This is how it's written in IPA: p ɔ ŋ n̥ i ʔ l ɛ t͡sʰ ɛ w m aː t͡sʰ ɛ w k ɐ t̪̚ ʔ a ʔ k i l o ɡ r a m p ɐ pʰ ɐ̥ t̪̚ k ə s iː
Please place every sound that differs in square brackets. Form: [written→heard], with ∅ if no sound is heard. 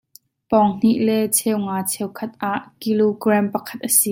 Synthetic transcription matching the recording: p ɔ ŋ n̥ i ʔ l ɛ t͡sʰ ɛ w [m→ŋ] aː t͡sʰ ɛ w [k→kʰ] ɐ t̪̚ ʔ a ʔ k i l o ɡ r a m p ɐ [pʰ→kʰ] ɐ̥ t̪̚ [k→ʔ] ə s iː

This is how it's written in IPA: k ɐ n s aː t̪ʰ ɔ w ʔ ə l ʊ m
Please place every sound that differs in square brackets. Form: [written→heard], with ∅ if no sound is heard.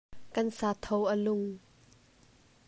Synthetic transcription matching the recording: k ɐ n s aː t̪ʰ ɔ w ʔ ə l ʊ [m→ŋ]

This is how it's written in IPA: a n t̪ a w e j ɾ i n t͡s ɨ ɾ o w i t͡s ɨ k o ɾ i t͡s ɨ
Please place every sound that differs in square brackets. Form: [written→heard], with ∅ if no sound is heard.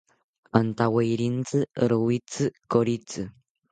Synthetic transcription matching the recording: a n t̪ a w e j ɾ i n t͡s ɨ ɾ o w i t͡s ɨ k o ɾ i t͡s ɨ

